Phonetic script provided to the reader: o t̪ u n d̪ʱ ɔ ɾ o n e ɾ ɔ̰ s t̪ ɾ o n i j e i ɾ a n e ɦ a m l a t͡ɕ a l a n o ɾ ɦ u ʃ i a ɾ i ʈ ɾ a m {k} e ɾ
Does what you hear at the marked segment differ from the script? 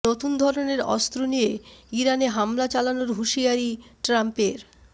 yes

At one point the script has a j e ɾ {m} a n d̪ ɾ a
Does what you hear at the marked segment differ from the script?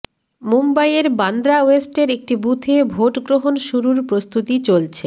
yes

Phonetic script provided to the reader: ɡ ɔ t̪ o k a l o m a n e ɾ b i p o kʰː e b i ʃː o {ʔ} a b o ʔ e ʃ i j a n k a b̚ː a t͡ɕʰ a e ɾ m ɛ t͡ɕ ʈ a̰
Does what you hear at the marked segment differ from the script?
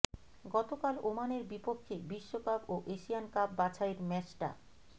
yes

